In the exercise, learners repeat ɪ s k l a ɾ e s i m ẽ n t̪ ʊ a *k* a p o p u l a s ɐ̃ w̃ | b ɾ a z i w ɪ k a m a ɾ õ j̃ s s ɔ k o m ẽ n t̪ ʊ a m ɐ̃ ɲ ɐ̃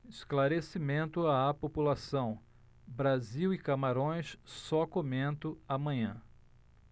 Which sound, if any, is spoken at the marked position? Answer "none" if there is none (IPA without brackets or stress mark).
none